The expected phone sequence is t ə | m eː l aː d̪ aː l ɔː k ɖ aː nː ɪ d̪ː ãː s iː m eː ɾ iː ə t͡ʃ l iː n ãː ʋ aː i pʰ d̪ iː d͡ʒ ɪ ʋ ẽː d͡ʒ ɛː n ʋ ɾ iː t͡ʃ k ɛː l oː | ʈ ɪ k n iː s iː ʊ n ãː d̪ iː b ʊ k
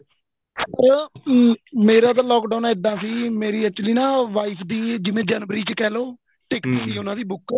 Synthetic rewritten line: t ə | m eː ɾ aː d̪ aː l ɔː k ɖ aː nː ɪ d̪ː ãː s iː m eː ɾ iː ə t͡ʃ l iː n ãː ʋ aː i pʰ d̪ iː d͡ʒ ɪ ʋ ẽː d͡ʒ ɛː n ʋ ɾ iː t͡ʃ k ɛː l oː | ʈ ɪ k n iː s iː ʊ n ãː d̪ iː b ʊ k